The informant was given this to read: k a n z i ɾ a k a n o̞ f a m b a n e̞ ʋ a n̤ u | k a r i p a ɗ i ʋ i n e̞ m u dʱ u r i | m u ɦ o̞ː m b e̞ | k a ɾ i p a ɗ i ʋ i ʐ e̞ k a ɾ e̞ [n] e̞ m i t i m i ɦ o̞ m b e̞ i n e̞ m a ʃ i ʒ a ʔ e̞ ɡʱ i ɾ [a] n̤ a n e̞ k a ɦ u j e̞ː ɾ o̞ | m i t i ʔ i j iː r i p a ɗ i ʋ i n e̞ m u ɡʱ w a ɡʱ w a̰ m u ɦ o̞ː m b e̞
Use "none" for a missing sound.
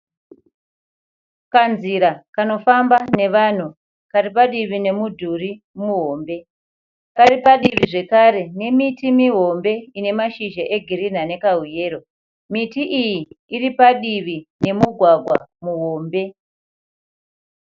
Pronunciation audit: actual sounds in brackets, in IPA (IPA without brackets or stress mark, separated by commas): n, i